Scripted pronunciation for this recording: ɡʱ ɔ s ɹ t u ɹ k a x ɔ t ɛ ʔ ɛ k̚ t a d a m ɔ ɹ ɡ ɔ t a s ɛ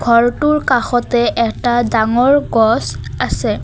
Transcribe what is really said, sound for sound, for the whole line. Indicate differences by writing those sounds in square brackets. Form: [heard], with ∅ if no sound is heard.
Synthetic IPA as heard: ɡʱ ɔ [∅] ɹ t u ɹ k a x ɔ t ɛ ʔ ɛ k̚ t a d a [ŋ] ɔ ɹ ɡ ɔ [s] a s ɛ